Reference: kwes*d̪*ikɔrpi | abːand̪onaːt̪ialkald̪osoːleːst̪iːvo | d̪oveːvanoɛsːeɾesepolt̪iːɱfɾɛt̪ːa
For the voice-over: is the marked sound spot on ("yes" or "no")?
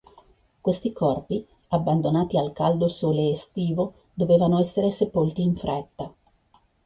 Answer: no